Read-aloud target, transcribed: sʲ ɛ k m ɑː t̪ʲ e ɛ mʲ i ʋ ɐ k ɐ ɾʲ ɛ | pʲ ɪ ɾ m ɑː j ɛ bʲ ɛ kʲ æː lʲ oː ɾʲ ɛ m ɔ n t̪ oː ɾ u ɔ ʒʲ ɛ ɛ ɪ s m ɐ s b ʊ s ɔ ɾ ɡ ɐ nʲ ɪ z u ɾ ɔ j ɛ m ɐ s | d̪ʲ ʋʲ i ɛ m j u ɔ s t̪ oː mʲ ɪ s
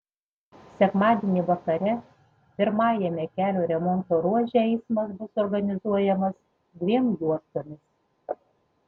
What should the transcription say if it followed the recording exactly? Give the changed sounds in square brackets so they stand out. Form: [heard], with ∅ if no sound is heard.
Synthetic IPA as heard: sʲ ɛ k m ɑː [d̪ʲ] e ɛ [nʲ] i ʋ ɐ k ɐ ɾʲ ɛ | pʲ ɪ ɾ m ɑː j ɛ [mʲ] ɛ kʲ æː lʲ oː ɾʲ ɛ m ɔ n t̪ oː ɾ u ɔ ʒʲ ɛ ɛ ɪ s m ɐ s b ʊ s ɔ ɾ ɡ ɐ nʲ ɪ z u [∅] ɔ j ɛ m ɐ s | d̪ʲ ʋʲ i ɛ m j u ɔ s t̪ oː mʲ ɪ s